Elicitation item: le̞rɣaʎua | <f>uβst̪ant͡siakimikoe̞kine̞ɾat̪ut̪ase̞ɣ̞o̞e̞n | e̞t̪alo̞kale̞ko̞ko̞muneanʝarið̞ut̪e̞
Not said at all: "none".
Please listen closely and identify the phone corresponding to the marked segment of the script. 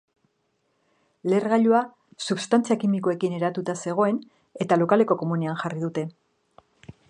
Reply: s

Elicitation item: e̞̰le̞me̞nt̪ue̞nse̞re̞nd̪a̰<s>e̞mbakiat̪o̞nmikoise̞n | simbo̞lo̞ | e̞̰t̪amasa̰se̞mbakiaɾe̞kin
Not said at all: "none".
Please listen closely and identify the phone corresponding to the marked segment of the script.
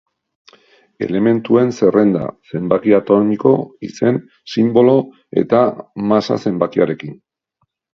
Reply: s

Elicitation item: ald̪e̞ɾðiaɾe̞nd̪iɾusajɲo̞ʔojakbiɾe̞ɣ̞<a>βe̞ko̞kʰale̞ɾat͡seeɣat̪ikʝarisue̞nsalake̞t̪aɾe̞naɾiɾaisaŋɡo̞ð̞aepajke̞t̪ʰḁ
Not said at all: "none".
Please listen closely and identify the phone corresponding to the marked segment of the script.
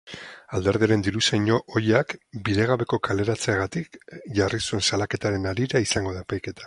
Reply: a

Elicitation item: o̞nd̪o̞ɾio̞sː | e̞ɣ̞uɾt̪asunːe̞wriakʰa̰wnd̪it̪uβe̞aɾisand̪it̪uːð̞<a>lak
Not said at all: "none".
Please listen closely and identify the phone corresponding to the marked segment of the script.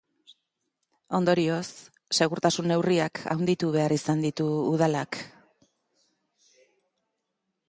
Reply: a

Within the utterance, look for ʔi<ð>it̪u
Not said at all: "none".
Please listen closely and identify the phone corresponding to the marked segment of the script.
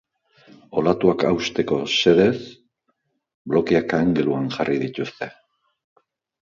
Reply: ð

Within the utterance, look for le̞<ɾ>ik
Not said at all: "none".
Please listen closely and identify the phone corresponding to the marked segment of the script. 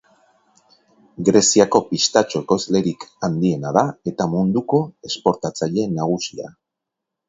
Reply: ɾ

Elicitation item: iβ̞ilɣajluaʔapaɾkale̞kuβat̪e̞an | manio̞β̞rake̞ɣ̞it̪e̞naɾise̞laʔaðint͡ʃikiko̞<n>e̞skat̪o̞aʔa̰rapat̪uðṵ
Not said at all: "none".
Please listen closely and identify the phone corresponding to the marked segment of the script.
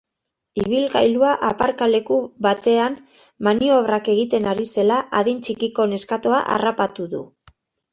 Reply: n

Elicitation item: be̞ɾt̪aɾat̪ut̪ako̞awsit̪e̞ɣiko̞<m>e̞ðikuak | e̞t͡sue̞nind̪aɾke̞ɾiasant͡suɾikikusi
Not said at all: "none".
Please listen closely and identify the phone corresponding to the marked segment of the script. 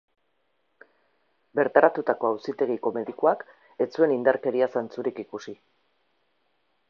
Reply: m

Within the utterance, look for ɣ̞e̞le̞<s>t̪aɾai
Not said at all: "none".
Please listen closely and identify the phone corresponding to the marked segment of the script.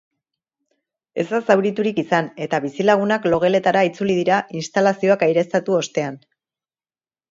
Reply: none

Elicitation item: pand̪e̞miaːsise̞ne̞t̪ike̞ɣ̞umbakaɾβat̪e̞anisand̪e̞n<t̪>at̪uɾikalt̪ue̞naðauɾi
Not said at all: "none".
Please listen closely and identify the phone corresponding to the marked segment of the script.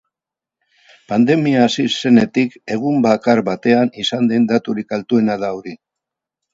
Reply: d̪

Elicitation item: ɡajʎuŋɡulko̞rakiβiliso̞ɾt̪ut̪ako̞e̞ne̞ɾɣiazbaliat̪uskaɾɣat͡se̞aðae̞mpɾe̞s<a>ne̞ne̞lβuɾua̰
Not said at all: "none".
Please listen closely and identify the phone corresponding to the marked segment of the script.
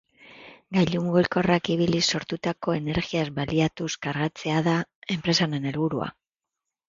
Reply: a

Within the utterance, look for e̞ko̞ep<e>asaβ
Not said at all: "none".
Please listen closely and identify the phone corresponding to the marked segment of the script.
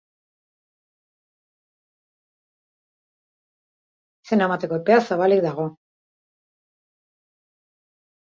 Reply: e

